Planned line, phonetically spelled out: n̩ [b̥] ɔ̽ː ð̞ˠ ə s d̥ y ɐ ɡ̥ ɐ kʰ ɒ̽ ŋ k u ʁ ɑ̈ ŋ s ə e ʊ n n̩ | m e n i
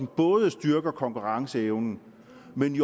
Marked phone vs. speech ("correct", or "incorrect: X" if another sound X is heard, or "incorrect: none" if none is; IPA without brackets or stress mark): correct